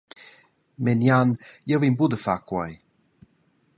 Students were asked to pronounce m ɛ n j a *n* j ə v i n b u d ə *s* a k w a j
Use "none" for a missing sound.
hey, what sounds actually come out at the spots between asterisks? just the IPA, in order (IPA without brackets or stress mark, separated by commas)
n, f